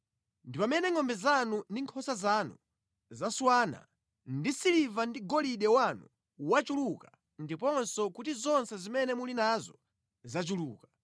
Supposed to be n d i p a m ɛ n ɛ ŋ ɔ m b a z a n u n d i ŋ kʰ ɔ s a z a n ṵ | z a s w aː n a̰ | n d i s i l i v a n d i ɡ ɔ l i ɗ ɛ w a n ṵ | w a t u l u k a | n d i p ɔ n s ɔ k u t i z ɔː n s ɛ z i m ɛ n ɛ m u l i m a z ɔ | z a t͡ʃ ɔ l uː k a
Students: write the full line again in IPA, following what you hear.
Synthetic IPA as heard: n d i p a m ɛ n ɛ ŋ ɔ m b ɛ z a n u n d i ŋ kʰ ɔ s a z a n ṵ | z a s w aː n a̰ | n d i s i l i v a n d i ɡ ɔ l i ɗ ɛ w a n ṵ | w a t͡ʃ u l u k a | n d i p ɔ n s ɔ k u t i z ɔ n s ɛ z i m ɛ n ɛ m u l i n a z ɔ | z a t͡ʃ u l uː k a

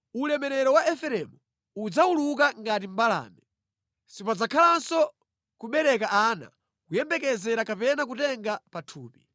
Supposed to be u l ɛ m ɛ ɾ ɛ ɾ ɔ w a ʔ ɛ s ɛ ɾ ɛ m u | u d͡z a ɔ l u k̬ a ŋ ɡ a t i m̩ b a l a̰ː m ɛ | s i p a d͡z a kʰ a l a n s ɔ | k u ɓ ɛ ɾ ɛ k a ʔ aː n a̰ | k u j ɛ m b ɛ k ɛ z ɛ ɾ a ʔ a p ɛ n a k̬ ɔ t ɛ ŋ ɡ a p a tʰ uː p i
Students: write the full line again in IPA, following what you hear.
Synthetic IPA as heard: u l ɛ m ɛ ɾ ɛ ɾ ɔ w a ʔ ɛ f ɛ ɾ ɛ m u | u d͡z a u l u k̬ a ŋ ɡ a t i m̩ b a l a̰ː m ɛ | s i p a d͡z a kʰ a l a n s ɔ | k u ɓ ɛ ɾ ɛ k a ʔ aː n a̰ | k u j ɛ m b ɛ k ɛ z ɛ ɾ a k a p ɛ n a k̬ u t ɛ ŋ ɡ a p a tʰ uː p i

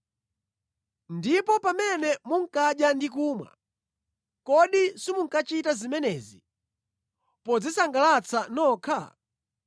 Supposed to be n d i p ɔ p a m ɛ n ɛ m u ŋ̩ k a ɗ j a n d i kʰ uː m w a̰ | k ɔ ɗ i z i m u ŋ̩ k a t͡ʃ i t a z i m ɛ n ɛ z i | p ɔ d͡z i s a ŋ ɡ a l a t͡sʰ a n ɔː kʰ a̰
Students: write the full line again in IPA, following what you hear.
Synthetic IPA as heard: n d i p ɔ p a m ɛ n ɛ m u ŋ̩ k a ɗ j a n d i k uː m w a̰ | k ɔ ɗ i s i m u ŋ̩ k a t͡ʃ i t a z i m ɛ n ɛ z i | p ɔ d͡z i s a ŋ ɡ a l a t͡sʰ a n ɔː kʰ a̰

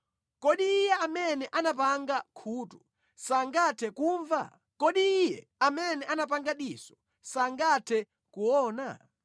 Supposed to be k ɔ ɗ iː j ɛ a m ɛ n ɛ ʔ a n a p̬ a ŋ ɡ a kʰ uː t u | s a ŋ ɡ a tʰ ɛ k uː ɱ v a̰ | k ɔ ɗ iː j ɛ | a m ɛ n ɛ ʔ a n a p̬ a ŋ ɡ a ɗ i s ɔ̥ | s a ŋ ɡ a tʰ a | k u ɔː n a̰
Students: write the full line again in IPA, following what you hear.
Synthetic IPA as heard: k ɔ ɗ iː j ɛ a m ɛ n ɛ ʔ a n a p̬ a ŋ ɡ a kʰ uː t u | s a ŋ ɡ a tʰ ɛ k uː ɱ v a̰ | k ɔ ɗ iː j ɛ | a m ɛ n ɛ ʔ a n a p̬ a ŋ ɡ a ɗ i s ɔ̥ | s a ŋ ɡ a tʰ ɛ | k u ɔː n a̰

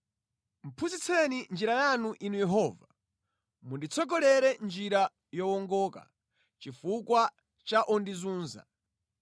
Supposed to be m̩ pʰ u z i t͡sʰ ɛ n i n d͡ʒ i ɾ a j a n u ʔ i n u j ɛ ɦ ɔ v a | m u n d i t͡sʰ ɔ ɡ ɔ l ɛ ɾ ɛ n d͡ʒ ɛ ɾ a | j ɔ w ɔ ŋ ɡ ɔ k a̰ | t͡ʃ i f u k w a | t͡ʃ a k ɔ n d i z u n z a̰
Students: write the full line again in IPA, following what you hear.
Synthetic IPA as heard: m̩ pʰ u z i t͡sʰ ɛ n i n d͡ʒ i ɾ a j a n u ʔ i n u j ɛ ɦ ɔ v a | m u n d i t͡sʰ ɔ ɡ ɔ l ɛ ɾ ɛ n d͡ʒ i ɾ a | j ɔ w ɔ ŋ ɡ ɔ k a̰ | t͡ʃ i f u k w a | t͡ʃ a ʔ ɔ n d i z uː n z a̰

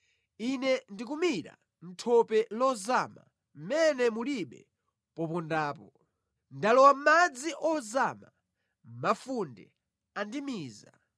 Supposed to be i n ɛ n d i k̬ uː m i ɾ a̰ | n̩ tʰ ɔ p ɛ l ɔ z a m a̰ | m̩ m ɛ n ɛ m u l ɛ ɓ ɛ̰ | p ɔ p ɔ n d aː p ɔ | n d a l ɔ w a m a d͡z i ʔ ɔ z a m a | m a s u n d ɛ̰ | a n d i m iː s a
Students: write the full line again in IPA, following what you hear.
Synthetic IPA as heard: i n ɛ n d i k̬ u m i ɾ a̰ | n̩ tʰ ɔ p ɛ l ɔ z a m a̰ | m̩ m ɛ n ɛ m u l i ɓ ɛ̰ | p ɔ p ɔ n d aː p ɔ | n d a l ɔ w a m a d͡z i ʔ ɔ z a m a | m a f u n d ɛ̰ | a n d i m iː z a

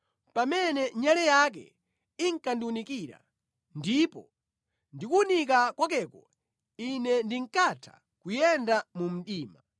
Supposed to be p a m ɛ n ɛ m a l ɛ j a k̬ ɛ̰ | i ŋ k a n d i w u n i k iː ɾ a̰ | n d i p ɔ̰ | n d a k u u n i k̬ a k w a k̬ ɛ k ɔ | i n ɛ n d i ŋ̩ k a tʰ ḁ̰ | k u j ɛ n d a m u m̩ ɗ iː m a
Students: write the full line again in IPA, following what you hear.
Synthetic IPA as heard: p a m ɛ n ɛ ɲ a l ɛ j a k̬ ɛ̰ | i ŋ k a n d i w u n i k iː ɾ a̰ | n d i p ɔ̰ | n d i k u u n i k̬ a k w a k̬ ɛ k ɔ | i n ɛ n d i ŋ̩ k a tʰ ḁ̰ | k u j ɛ n d a m u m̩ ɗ iː m a

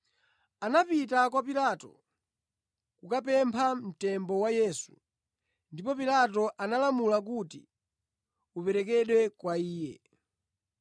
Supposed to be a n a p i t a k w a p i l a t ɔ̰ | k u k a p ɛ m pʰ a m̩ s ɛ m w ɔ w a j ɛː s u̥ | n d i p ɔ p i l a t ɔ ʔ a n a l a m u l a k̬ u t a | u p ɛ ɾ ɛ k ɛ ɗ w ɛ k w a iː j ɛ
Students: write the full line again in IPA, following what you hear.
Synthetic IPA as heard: a n a p i t a k w a p i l a t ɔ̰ | k u k a p ɛ m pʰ a m̩ t ɛ m b ɔ w a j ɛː s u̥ | n d i p ɔ p i l a t ɔ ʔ a n a l a m u l a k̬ u t i | u p ɛ ɾ ɛ k ɛ ɗ w ɛ k w a iː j ɛ

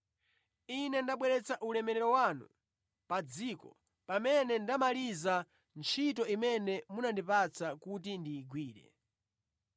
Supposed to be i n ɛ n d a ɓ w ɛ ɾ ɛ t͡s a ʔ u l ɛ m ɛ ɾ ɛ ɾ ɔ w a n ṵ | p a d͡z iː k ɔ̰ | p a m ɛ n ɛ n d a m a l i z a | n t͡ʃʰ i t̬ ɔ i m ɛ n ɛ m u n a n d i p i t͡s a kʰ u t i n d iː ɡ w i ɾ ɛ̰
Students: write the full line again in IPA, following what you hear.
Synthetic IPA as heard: i n ɛ n d a ɓ w ɛ ɾ ɛ t͡s a ʔ u l ɛ m ɛ ɾ ɛ ɾ ɔ w a n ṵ | p a d͡z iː k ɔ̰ | p a m ɛ n ɛ n d a m a l i z a | n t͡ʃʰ i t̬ ɔ i m ɛ n ɛ m u n a n d i p a t͡s a k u t i n d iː ɡ w iː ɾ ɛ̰

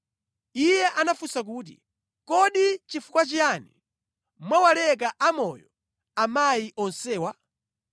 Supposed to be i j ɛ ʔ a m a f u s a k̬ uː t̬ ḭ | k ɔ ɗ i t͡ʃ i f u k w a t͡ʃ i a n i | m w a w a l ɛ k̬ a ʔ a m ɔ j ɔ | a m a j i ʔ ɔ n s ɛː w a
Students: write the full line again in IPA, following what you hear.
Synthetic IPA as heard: i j ɛ ʔ a n a f u s a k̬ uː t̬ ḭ | k ɔ ɗ i t͡ʃ i f u k w a t͡ʃ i a n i | m w a w a l ɛ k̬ a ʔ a m ɔ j ɔ | a m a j i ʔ ɔ n s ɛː w a

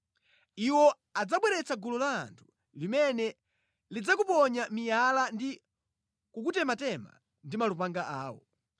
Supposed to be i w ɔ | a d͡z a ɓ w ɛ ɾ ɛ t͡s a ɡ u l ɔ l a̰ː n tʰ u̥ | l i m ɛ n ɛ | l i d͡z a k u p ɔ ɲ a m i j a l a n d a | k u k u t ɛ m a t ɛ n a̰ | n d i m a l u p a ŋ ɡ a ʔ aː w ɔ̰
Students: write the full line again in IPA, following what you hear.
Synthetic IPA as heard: i w ɔ | a d͡z a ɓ w ɛ ɾ ɛ t͡s a ɡ u l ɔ l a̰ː n tʰ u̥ | l i m ɛ n ɛ | l i d͡z a k u p ɔ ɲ a m i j a l a n d i | k u k u t ɛ m a t ɛ m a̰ | n d i m a l u p a ŋ ɡ a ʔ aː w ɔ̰

